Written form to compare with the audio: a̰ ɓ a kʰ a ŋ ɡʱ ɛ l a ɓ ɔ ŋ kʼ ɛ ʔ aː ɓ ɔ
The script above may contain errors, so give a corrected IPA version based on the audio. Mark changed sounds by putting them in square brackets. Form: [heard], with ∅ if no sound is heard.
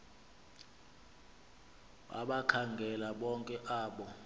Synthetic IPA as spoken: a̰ ɓ a kʰ a ŋ ɡʱ ɛ l a ɓ ɔ ŋ kʼ ɛ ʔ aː ɓ ɔ